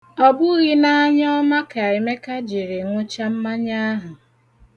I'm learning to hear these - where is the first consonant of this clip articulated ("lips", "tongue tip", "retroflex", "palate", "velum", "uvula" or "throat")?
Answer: lips